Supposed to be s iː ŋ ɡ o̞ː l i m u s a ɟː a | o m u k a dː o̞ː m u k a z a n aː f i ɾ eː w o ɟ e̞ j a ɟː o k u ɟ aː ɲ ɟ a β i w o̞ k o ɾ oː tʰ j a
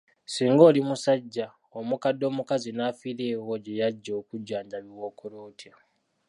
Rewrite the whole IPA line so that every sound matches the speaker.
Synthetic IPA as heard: s iː ŋ ɡ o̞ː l i m u s a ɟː a | o m u k a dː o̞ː m u k a z i n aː f i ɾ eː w o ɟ e̞ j a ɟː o k u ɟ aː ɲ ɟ a β i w o̞ k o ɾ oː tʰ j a